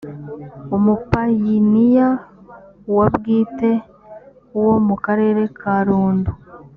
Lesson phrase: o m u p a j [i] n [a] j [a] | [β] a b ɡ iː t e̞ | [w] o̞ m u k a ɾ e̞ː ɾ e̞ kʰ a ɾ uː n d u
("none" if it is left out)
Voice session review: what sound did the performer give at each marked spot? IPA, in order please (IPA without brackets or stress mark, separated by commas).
i, i, a, w, w